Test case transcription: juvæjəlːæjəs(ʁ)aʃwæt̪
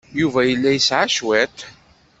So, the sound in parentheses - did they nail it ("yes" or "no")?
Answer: no